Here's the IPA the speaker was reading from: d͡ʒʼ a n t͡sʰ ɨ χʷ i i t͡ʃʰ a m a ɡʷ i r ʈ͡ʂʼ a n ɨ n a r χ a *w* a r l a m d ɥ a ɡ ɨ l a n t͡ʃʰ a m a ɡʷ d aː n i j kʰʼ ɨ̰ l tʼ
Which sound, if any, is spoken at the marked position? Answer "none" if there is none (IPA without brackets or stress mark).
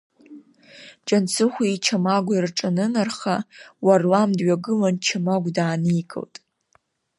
w